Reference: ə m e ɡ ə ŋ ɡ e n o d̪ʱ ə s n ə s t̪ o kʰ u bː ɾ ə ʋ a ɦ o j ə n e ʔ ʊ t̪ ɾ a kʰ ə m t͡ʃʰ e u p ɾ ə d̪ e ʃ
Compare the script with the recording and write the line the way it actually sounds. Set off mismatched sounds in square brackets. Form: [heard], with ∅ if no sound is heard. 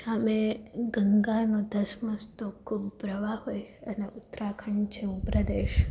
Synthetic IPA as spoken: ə m e ɡ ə ŋ ɡ [a] n o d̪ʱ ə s [m] ə s t̪ o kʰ u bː ɾ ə ʋ a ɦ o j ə n e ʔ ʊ t̪ ɾ a kʰ ə [ɳ] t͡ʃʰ e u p ɾ ə d̪ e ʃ